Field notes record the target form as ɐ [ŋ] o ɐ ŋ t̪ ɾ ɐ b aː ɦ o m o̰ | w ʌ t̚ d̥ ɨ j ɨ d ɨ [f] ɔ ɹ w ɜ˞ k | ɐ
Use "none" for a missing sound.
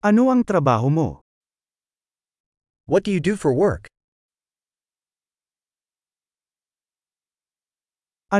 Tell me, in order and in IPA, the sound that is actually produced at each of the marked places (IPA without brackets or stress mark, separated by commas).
n, f